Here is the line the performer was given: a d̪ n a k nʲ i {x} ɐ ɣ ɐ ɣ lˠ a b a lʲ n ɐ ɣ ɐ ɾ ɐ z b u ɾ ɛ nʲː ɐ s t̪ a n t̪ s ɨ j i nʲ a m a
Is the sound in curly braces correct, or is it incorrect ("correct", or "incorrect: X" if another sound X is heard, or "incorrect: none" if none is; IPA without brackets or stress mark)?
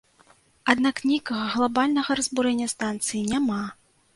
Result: incorrect: k